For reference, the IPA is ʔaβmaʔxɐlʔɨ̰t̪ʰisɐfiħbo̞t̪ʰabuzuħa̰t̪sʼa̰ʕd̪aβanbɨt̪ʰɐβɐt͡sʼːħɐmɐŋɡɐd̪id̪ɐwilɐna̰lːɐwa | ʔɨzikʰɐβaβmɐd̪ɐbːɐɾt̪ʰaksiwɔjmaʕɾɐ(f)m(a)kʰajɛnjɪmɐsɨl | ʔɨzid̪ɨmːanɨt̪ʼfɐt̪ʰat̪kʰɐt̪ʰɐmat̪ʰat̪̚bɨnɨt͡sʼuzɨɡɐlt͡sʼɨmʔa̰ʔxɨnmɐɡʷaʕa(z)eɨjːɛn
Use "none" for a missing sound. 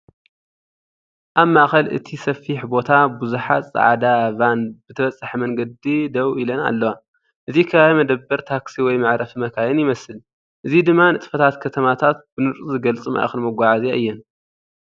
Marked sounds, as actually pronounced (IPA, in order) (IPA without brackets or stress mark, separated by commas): f, ɐ, z